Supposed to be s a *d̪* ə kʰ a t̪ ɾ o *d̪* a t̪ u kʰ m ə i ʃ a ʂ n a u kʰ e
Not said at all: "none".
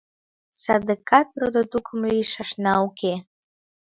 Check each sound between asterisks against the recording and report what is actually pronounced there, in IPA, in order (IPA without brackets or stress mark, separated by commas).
d̪, d̪